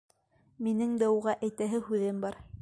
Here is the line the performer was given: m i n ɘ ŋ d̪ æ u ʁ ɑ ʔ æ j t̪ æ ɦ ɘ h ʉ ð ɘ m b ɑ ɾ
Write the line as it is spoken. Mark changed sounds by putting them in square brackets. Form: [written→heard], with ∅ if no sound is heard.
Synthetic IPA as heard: m i n ɘ ŋ d̪ æ u ʁ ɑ ʔ æ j t̪ æ ɦ ɘ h ʉ ð ɘ m b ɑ ɾ